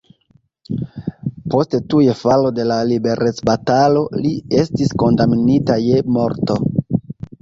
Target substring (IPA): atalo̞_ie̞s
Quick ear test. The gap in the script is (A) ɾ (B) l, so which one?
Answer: B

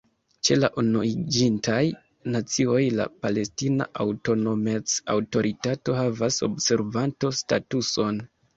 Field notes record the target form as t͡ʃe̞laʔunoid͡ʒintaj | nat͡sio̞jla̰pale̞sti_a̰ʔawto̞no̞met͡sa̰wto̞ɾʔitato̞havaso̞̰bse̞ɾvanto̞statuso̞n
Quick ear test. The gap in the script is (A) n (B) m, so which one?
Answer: A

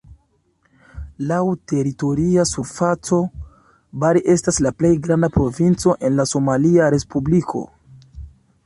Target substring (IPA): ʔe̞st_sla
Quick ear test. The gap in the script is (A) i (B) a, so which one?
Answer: B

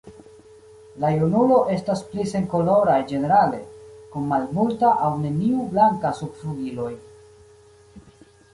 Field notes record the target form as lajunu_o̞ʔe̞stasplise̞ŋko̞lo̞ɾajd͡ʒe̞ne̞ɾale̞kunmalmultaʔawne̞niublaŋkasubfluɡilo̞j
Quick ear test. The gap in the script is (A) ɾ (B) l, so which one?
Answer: B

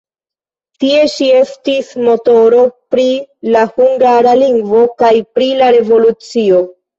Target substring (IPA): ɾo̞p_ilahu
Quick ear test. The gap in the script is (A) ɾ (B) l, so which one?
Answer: A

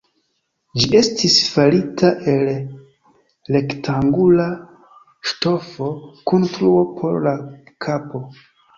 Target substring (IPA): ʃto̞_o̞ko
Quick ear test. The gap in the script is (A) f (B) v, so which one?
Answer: A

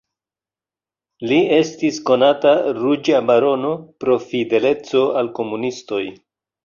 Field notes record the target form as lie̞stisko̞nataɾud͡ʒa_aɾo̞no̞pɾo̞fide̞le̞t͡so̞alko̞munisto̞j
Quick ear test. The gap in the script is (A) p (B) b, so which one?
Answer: B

